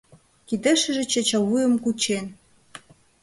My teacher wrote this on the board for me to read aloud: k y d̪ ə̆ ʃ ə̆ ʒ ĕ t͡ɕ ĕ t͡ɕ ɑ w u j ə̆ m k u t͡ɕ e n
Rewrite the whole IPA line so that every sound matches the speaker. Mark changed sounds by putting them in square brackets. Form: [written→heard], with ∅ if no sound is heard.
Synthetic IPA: k [y→i] d̪ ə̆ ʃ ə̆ ʒ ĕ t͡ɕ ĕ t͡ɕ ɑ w u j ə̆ m k u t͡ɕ e n